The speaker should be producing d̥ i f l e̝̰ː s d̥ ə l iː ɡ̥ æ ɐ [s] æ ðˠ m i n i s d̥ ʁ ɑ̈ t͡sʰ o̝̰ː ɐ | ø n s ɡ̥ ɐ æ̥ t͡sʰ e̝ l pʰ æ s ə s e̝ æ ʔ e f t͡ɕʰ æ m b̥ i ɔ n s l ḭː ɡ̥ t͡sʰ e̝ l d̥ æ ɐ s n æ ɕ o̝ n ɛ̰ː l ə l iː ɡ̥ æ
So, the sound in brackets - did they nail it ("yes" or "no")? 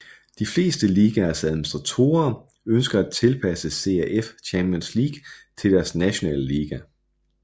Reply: yes